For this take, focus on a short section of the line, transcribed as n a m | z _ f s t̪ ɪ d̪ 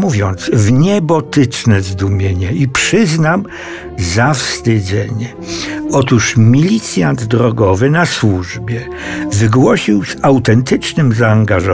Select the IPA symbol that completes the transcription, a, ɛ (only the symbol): a